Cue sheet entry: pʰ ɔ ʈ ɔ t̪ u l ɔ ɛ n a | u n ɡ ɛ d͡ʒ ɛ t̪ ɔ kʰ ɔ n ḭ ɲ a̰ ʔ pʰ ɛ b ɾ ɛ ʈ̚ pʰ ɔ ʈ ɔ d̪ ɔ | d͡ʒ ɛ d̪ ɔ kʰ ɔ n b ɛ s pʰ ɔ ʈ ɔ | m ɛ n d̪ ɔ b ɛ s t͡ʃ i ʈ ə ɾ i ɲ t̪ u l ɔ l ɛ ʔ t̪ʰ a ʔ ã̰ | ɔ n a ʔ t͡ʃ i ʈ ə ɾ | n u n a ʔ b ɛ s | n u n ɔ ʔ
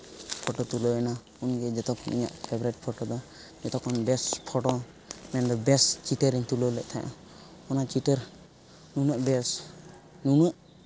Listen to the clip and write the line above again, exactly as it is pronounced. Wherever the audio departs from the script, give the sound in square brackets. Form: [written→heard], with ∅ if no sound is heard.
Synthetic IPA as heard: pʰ ɔ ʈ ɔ t̪ u l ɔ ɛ n a | u n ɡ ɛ d͡ʒ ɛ t̪ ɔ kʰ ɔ n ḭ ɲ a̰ ʔ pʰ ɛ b ɾ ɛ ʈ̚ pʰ ɔ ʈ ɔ d̪ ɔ | d͡ʒ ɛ [d̪→t̪] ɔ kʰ ɔ n b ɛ s pʰ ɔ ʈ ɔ | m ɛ n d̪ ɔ b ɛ s t͡ʃ i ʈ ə ɾ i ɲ t̪ u l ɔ l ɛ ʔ t̪ʰ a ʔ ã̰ | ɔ n a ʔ t͡ʃ i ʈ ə ɾ | n u n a ʔ b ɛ s | n u n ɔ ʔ